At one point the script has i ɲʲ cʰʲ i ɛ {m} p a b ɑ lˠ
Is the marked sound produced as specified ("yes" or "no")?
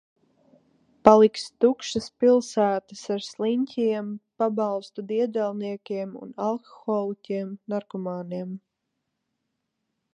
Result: yes